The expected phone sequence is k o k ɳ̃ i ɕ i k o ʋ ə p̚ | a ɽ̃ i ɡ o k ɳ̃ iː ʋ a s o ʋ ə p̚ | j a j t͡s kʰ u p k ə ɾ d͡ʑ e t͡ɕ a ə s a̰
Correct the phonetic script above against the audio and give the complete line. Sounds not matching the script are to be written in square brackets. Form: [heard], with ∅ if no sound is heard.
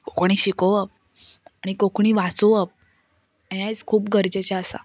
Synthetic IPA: k o k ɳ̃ i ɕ i k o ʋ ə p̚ | a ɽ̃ i [k] o k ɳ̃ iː ʋ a [t͡s] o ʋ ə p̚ | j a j t͡s kʰ [uː] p [ɡ] ə ɾ d͡ʑ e t͡ɕ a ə s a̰